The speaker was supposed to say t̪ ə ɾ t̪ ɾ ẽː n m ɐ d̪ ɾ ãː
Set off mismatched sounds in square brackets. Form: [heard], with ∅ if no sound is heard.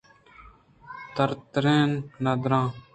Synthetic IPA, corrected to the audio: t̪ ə ɾ t̪ ɾ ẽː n [n] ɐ d̪ ɾ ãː

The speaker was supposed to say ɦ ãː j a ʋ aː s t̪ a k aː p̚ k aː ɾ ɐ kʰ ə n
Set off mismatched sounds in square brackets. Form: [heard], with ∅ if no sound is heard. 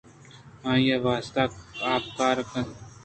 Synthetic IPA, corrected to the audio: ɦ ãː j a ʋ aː s t̪ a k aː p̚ k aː ɾ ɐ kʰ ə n

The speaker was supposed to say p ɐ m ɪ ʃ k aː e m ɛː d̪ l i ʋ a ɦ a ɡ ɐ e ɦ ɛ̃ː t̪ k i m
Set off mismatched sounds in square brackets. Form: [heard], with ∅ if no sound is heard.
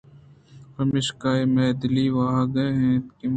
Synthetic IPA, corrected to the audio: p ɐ m ɪ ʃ k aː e m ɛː d̪ l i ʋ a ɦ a ɡ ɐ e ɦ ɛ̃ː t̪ k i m

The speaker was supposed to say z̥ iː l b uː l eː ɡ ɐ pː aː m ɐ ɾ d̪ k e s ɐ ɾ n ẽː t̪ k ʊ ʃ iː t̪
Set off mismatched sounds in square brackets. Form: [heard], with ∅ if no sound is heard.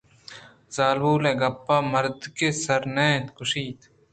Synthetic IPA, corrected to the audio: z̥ [aː] l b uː l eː ɡ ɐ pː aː m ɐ ɾ d̪ k e s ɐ ɾ n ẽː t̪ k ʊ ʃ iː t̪

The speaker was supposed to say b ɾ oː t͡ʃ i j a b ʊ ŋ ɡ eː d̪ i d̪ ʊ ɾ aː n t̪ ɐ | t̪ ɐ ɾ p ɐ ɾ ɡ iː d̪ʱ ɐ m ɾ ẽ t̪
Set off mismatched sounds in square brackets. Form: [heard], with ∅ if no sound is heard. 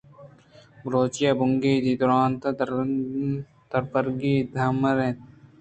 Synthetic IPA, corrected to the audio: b ɾ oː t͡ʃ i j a b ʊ ŋ ɡ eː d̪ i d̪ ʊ ɾ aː n t̪ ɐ | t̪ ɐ ɾ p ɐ ɾ ɡ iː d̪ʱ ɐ m ɾ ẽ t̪

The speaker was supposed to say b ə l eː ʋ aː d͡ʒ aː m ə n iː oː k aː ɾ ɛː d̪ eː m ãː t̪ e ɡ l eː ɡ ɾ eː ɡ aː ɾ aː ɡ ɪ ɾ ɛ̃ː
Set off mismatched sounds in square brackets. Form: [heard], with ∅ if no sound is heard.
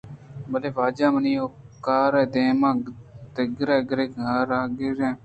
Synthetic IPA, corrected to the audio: b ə l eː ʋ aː d͡ʒ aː m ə n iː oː k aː ɾ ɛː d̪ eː m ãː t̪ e ɡ [ɾ] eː ɡ ɾ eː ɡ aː ɾ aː ɡ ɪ ɾ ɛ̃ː

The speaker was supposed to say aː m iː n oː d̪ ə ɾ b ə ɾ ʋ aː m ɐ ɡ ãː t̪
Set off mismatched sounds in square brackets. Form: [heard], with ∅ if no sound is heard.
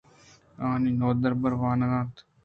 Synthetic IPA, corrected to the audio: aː [n] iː n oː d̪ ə ɾ b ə ɾ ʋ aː [n] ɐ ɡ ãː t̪

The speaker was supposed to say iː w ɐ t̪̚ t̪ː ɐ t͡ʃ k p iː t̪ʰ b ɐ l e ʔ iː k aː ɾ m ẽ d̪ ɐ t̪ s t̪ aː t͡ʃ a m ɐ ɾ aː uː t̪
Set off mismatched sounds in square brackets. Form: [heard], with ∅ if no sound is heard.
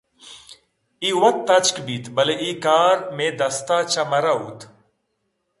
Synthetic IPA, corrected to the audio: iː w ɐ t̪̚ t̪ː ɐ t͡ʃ k [b] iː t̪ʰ b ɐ l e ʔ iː k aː ɾ m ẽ d̪ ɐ [∅] s t̪ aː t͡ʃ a m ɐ ɾ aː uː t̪

